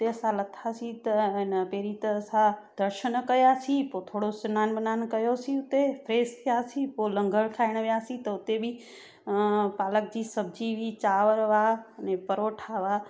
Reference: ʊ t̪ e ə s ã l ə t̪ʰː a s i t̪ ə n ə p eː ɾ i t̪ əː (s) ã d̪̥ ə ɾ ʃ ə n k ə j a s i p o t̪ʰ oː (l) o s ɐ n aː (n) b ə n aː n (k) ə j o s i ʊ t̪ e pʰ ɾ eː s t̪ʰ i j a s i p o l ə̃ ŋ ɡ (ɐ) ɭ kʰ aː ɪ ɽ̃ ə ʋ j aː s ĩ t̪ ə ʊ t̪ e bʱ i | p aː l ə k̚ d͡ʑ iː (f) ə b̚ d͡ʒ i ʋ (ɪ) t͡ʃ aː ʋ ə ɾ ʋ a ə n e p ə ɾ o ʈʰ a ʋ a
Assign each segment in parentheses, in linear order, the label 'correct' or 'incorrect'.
correct, incorrect, correct, correct, incorrect, incorrect, incorrect

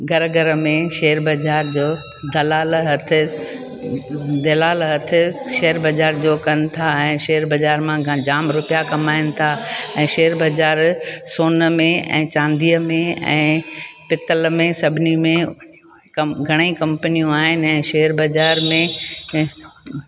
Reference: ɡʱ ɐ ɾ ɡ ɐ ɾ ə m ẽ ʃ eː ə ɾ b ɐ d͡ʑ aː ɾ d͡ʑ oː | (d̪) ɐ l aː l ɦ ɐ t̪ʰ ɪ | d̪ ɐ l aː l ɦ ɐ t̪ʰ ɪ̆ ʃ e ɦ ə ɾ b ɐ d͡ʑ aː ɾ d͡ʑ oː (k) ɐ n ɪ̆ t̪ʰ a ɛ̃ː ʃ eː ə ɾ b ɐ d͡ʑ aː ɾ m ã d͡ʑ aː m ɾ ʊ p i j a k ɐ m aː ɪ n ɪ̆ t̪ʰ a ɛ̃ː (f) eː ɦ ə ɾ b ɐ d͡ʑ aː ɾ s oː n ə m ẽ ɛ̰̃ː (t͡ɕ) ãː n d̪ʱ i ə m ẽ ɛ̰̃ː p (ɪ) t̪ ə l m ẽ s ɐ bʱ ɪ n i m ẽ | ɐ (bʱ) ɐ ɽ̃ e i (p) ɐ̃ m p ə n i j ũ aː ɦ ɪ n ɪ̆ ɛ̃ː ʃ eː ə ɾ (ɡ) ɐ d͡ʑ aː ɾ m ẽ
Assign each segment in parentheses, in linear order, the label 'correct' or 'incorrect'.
correct, correct, incorrect, correct, correct, incorrect, incorrect, incorrect

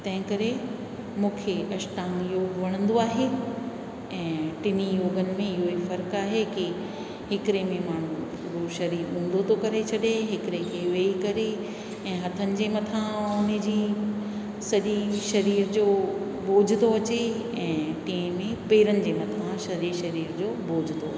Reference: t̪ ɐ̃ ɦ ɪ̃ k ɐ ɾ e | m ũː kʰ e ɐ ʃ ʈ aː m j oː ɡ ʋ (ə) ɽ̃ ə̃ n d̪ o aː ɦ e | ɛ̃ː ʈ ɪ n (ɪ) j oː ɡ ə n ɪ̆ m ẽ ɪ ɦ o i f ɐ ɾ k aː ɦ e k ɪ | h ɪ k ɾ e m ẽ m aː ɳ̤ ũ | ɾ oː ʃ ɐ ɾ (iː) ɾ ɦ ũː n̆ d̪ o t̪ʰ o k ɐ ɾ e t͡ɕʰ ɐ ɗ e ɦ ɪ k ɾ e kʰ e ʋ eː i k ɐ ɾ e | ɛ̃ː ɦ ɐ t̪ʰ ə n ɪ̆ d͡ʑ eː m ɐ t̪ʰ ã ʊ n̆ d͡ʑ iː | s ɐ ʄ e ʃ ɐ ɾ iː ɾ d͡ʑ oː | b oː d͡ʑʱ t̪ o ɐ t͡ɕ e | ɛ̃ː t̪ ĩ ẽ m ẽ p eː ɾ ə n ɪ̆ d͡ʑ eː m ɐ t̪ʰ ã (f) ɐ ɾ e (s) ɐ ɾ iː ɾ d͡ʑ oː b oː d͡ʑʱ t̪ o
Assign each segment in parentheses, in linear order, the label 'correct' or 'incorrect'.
incorrect, incorrect, correct, incorrect, incorrect

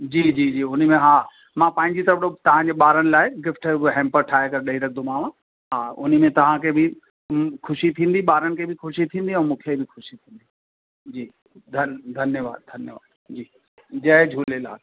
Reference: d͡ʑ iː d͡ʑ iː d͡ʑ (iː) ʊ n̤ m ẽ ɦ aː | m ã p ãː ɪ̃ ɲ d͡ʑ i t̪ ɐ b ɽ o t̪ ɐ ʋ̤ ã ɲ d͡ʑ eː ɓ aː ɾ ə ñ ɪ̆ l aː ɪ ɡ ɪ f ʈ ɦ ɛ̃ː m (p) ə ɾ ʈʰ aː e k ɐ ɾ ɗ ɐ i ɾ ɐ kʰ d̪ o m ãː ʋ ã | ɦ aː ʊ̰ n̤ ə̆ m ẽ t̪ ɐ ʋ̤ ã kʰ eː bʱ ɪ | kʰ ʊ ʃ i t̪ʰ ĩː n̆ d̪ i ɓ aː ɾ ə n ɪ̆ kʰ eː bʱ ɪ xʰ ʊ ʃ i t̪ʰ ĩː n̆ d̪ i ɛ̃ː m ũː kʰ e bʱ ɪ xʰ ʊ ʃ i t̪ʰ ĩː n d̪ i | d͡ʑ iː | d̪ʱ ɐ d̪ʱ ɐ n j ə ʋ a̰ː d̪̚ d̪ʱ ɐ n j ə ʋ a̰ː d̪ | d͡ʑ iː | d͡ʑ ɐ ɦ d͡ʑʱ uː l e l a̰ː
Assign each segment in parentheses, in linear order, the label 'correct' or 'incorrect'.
correct, correct

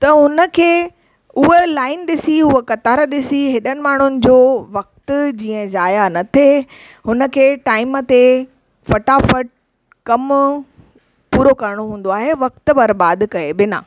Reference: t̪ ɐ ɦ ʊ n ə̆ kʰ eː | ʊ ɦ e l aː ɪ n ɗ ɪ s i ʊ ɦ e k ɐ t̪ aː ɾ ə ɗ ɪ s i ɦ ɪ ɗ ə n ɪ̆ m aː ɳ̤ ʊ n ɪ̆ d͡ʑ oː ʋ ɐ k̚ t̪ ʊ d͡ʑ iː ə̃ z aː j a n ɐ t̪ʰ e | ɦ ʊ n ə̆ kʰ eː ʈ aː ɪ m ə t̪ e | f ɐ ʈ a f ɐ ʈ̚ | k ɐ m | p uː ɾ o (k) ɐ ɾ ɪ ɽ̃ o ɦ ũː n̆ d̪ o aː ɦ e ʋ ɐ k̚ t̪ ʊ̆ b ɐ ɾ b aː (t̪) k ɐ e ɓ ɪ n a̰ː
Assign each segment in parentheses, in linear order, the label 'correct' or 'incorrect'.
correct, incorrect

